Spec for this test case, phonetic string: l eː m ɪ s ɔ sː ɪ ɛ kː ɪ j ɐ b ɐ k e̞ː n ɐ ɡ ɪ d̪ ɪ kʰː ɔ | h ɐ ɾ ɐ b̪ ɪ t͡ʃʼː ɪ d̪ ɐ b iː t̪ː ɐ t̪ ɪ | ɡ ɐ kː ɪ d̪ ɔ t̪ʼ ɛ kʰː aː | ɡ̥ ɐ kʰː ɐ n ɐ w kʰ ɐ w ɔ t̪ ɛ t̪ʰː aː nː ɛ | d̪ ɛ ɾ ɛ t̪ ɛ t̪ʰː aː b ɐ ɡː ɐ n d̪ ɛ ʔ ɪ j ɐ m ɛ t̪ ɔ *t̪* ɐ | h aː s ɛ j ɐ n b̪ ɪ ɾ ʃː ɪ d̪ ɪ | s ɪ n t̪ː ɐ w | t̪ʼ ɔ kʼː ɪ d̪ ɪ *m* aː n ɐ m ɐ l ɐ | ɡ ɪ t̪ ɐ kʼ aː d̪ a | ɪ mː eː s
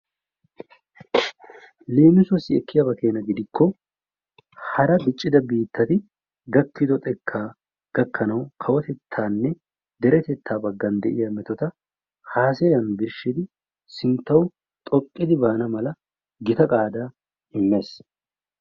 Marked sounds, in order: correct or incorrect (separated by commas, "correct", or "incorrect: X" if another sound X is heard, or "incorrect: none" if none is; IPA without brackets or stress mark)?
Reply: correct, incorrect: b